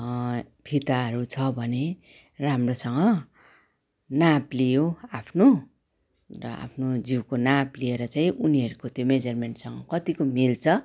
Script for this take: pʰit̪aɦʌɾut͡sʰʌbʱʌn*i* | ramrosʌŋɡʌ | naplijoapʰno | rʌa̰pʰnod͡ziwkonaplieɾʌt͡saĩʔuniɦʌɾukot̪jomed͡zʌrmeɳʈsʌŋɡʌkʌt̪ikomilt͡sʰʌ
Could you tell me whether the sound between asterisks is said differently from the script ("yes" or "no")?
yes